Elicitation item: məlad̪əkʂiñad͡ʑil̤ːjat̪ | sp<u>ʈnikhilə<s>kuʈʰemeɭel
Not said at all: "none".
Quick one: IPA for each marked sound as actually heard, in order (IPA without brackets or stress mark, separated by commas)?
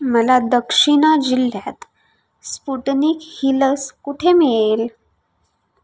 u, s